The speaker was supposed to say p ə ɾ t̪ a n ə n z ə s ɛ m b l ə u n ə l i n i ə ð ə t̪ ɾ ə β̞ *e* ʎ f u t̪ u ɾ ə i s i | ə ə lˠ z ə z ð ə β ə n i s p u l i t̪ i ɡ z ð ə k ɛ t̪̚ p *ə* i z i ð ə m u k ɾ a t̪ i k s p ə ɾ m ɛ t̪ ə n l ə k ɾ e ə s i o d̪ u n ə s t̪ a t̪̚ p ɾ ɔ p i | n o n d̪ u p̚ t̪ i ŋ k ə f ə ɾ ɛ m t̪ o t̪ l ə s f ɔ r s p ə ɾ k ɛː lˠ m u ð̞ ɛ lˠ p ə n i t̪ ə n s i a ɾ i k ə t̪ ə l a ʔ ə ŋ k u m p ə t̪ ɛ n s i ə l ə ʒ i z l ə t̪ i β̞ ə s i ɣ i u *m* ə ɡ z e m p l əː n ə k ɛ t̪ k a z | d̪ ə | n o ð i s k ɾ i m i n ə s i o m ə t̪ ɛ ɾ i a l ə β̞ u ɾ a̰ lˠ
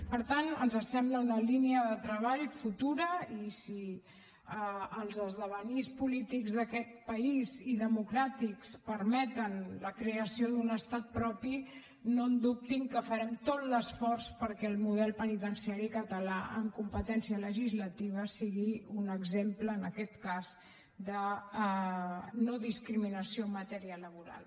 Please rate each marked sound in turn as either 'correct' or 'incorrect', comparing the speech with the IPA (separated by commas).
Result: incorrect, correct, incorrect